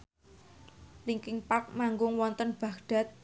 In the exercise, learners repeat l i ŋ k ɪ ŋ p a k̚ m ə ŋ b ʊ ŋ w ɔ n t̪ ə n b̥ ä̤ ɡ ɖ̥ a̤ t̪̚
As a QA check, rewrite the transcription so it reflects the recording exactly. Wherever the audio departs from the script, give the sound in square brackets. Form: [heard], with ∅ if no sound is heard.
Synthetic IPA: l i ŋ k ɪ ŋ p a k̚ m [a] ŋ [ɡ] ʊ ŋ w ɔ n t̪ ə n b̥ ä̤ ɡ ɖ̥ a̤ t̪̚